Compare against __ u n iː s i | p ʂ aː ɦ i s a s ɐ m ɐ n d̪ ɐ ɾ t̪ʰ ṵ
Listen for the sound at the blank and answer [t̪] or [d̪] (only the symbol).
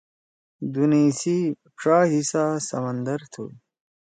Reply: d̪